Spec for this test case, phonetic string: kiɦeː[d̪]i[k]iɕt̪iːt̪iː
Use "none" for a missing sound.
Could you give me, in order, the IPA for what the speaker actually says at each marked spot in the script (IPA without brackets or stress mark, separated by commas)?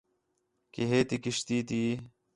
t̪, k